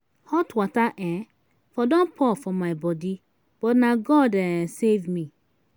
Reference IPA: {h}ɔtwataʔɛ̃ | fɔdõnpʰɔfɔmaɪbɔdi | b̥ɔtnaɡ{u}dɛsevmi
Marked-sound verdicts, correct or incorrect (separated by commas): correct, incorrect